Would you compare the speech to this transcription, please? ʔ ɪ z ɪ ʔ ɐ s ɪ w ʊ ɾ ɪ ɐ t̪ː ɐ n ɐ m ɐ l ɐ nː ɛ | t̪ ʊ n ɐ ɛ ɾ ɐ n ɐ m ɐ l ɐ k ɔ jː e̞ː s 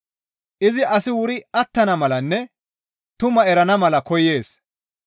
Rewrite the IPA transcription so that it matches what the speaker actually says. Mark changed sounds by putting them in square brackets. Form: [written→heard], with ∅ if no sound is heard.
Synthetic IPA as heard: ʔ ɪ z ɪ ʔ ɐ s ɪ w ʊ ɾ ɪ ɐ t̪ː ɐ n ɐ m ɐ l ɐ nː ɛ | t̪ ʊ [n→m] ɐ ɛ ɾ ɐ n ɐ m ɐ l ɐ k ɔ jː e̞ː s